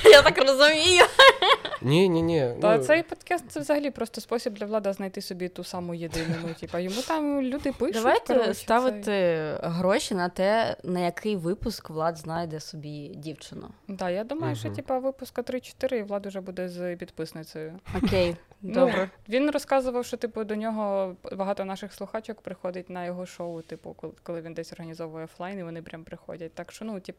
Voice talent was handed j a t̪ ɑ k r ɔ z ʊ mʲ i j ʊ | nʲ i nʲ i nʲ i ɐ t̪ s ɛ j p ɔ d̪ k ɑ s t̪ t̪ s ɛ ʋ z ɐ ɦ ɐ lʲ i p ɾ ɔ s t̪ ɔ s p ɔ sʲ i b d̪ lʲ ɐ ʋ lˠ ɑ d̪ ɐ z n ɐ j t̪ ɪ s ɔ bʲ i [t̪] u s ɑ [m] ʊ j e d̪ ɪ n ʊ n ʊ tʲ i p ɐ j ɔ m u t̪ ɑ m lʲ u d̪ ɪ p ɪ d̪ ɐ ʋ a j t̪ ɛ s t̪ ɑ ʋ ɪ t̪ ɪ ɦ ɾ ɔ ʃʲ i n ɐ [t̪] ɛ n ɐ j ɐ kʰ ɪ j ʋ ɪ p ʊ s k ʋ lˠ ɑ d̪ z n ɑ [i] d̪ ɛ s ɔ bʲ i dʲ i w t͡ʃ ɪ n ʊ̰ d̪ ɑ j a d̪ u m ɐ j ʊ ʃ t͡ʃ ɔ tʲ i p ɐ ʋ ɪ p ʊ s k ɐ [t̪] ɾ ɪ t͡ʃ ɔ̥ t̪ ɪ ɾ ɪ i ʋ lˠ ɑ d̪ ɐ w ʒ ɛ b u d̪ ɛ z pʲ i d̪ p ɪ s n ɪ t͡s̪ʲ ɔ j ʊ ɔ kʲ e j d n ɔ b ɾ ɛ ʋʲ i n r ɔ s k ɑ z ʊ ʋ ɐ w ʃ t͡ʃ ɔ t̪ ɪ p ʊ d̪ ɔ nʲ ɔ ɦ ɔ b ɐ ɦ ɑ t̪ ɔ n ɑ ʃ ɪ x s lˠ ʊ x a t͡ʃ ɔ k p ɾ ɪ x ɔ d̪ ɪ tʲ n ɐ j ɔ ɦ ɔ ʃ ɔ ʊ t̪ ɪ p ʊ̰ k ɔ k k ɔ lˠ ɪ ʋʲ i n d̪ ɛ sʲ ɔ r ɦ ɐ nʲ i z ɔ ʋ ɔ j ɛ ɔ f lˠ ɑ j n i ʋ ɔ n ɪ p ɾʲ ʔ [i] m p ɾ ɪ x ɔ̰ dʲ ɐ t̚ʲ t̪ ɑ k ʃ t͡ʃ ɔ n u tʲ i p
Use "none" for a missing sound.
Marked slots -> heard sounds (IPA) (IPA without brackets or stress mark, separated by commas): t̪, m, t̪, j, t̪, a